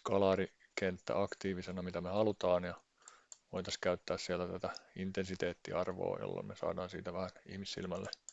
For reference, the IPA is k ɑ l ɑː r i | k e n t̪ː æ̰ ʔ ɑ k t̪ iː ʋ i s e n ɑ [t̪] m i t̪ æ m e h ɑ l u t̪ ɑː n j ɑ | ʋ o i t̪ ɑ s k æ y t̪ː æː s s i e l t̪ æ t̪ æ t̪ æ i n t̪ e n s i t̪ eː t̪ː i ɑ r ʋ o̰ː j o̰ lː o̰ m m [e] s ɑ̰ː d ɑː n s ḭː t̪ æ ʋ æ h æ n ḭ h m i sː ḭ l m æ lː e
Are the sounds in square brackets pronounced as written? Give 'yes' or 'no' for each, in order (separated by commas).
no, yes